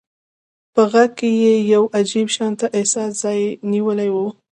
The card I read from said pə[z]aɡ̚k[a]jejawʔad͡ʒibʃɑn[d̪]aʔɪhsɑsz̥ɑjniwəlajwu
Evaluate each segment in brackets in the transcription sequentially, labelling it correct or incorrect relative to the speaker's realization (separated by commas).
incorrect, incorrect, incorrect